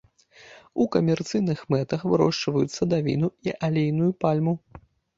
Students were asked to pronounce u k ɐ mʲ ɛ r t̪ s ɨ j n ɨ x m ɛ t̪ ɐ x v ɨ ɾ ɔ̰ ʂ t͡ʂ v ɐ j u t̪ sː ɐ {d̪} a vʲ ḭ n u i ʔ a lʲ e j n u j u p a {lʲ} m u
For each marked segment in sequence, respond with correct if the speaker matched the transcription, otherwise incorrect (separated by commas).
correct, correct